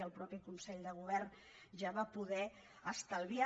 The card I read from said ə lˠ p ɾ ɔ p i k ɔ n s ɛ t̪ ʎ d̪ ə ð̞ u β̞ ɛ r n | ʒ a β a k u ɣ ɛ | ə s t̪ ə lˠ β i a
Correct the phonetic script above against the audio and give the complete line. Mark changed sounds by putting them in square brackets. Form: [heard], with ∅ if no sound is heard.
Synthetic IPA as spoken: ə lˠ p ɾ ɔ p i k [u] n s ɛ [∅] ʎ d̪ ə [ɣ̞] u β̞ ɛ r n | ʒ a β a [p] u [ð] ɛ | ə s t̪ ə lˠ β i a